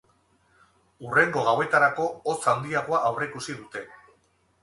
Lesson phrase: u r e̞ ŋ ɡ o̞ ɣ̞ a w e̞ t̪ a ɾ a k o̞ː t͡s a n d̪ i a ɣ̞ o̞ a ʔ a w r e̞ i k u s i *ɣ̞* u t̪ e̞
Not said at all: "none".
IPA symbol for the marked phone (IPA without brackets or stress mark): ð̞